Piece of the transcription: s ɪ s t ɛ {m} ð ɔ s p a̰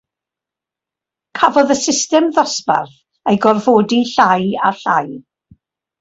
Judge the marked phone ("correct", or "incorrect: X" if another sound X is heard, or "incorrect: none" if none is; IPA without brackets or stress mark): correct